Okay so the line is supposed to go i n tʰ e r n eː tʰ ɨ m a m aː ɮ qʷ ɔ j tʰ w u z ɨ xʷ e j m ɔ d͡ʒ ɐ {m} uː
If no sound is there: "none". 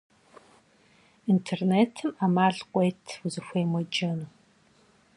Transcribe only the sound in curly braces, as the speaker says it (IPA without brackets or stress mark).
n